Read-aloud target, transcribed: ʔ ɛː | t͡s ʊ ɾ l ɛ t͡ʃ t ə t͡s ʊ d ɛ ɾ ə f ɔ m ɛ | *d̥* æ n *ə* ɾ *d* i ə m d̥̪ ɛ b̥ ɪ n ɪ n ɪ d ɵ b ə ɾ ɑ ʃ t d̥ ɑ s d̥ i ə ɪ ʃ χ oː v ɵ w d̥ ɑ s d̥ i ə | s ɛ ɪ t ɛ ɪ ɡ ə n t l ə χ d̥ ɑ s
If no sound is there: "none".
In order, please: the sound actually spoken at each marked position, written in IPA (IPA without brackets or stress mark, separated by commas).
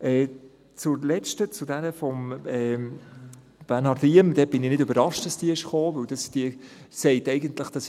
b̥, ɑ, d